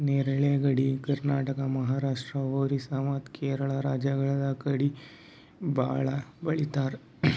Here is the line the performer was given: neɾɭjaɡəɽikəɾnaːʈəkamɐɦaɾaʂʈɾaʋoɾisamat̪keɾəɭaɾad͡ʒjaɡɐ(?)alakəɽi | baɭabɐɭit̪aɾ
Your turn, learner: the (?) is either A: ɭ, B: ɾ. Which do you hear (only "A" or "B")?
A